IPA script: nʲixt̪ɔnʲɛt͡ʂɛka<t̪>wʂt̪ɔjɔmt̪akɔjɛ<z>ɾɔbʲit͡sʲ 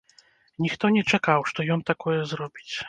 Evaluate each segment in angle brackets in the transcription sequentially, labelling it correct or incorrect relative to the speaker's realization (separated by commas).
incorrect, correct